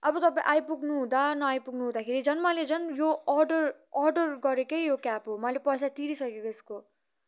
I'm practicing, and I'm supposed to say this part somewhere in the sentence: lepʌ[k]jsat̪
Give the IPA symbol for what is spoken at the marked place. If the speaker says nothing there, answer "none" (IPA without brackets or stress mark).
none